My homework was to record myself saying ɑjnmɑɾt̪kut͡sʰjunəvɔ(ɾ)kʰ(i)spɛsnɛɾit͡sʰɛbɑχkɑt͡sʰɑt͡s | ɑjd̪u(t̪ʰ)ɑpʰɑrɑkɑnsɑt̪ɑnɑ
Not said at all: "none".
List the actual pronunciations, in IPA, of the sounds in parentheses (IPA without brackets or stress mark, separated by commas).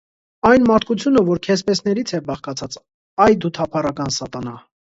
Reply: ɾ, ɛ, t̪ʰ